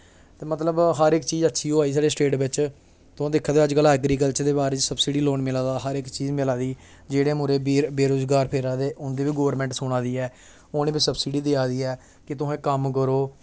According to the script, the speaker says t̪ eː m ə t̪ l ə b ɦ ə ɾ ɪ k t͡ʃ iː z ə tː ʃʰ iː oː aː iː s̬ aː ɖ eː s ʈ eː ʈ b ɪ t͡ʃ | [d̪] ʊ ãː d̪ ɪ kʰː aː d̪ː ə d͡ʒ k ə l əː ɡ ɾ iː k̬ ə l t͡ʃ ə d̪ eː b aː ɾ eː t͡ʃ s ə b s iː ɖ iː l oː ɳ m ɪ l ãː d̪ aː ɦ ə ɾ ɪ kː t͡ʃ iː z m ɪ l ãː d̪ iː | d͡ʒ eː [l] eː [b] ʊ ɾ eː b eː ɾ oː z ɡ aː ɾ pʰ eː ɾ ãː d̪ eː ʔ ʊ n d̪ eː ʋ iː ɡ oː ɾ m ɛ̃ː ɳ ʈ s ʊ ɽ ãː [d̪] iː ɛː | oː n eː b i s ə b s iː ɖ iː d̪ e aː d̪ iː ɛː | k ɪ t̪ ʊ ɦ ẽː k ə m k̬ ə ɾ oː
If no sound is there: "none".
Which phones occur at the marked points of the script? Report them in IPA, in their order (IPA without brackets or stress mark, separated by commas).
t̪, ɽ, m, d̪